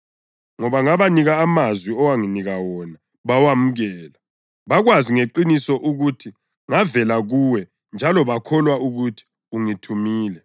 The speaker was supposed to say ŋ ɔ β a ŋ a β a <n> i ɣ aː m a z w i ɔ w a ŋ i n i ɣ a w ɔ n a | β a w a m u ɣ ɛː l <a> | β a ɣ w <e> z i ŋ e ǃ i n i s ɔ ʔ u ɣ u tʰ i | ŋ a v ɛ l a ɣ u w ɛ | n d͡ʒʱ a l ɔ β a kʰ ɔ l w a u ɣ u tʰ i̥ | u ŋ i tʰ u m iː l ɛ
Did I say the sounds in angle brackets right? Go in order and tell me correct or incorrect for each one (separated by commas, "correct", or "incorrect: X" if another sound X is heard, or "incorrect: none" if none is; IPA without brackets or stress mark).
correct, correct, incorrect: a